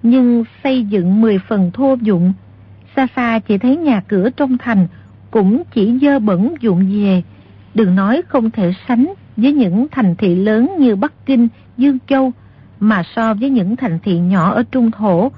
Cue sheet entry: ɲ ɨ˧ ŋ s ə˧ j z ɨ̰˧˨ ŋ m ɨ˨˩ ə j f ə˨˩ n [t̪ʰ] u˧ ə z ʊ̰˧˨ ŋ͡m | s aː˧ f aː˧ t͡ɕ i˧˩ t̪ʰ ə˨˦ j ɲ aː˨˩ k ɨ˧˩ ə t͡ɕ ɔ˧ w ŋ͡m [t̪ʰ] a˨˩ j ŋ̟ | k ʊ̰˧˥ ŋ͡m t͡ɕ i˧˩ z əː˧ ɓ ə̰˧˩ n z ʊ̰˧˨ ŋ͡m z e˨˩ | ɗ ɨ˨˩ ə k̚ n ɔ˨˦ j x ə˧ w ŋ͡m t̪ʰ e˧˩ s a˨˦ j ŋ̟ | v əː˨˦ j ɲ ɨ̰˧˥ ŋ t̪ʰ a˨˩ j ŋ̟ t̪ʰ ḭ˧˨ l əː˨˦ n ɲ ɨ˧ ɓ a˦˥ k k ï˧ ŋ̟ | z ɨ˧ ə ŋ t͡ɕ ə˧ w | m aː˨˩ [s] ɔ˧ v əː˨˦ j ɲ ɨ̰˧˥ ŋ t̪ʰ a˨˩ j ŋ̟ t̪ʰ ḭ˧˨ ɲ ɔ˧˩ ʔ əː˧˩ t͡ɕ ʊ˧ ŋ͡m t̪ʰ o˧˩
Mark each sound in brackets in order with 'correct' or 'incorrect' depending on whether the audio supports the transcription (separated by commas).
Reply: correct, correct, correct